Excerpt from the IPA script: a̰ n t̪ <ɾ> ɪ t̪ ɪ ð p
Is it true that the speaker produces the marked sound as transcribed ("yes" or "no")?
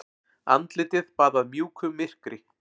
no